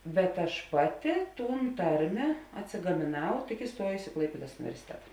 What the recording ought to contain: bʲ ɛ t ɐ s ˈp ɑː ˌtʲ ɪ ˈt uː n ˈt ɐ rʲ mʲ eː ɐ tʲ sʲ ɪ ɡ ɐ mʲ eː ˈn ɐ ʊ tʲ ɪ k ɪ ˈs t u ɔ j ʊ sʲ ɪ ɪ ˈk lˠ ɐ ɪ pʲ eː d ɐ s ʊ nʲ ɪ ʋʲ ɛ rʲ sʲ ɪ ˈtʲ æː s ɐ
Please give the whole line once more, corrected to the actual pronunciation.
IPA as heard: bʲ ɛ t ɐ ʃ ˈp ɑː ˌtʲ ɪ ˈt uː n ˈt ɐ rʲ mʲ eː ɐ tʲ sʲ ɪ ɡ ɐ mʲ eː ˈn ɐ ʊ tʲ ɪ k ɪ ˈs t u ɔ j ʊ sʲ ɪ ɪ ˈk lˠ ɐ ɪ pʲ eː d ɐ s ʊ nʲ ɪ ʋʲ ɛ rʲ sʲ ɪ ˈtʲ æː t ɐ